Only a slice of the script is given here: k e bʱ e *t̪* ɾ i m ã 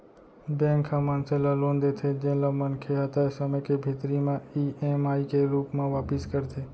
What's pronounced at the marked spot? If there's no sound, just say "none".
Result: t̪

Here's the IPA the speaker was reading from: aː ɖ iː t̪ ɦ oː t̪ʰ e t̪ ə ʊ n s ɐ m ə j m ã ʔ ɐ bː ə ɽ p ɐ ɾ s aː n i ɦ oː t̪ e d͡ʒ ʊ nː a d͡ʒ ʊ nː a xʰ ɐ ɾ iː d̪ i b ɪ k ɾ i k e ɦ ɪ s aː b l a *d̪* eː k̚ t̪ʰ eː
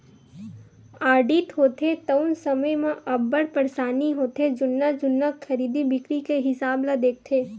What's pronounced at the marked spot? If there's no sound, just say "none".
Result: d̪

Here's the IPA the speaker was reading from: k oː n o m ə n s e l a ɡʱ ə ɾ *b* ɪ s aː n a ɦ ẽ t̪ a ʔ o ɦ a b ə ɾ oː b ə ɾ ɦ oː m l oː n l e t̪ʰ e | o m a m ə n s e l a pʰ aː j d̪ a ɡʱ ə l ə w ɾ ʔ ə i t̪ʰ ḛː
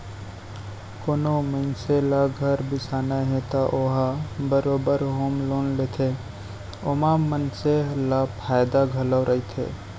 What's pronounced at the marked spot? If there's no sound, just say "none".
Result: b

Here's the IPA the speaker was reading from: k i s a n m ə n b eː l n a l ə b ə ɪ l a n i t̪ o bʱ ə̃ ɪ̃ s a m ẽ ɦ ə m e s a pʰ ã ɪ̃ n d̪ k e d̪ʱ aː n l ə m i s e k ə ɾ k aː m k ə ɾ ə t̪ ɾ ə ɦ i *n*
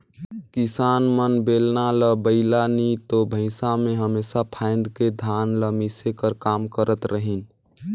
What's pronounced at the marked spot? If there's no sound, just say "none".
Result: n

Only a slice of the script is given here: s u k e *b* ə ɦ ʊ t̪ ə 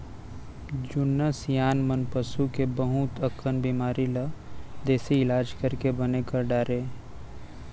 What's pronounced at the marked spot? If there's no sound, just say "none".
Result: b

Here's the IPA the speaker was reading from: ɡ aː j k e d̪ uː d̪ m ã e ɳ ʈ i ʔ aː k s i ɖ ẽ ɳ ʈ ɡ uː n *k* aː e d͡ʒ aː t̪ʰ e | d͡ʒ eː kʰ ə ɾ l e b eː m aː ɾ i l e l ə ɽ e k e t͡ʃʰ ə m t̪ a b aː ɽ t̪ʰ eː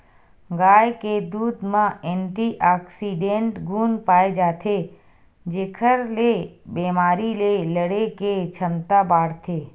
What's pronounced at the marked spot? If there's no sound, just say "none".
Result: p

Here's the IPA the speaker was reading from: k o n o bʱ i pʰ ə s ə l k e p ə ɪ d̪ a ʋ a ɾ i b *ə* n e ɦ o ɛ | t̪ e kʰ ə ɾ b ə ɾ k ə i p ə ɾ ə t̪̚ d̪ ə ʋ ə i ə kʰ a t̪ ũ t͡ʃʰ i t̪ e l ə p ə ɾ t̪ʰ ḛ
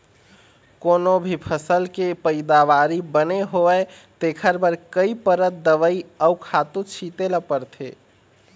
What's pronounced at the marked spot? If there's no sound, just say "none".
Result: ə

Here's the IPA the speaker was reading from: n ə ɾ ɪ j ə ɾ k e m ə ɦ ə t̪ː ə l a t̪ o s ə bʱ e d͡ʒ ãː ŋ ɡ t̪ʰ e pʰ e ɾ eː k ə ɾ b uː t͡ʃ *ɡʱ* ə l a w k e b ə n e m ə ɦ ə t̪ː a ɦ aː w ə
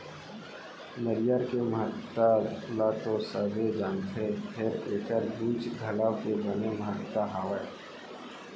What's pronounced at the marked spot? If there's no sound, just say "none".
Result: ɡʱ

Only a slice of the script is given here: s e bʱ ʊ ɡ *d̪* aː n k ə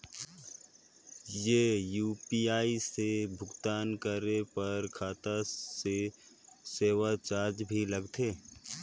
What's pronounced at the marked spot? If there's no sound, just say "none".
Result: t̪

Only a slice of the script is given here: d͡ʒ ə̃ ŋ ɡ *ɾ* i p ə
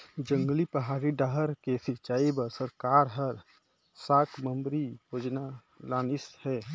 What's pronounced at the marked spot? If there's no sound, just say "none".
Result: l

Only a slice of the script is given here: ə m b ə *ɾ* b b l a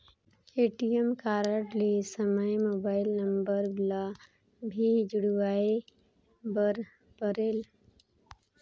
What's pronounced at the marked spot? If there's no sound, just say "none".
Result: ɾ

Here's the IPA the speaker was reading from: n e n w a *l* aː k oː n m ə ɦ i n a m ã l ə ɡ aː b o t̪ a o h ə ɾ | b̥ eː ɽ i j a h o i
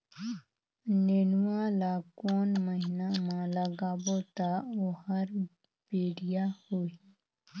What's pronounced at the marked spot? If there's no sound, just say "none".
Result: l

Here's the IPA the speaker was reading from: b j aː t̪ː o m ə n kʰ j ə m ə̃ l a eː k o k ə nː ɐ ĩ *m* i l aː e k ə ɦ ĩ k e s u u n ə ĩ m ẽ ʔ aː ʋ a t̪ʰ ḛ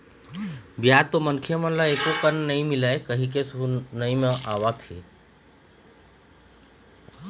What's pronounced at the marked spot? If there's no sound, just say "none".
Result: m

